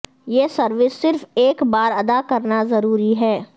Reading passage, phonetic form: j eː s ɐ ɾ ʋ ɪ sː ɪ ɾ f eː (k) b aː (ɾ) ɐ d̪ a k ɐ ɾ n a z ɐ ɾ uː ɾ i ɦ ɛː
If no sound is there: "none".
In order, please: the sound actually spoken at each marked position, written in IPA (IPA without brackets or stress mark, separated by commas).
k, ɾ